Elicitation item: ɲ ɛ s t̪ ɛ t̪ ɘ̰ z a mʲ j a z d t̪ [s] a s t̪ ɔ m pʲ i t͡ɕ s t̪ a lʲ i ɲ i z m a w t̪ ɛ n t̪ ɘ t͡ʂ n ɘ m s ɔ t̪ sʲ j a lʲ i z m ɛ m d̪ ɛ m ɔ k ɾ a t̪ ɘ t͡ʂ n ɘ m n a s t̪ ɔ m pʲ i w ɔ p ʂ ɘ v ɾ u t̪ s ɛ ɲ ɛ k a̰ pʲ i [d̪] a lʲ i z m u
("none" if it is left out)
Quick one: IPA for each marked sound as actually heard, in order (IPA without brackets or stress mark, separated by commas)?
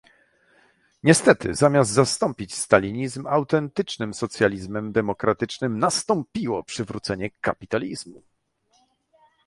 z, t̪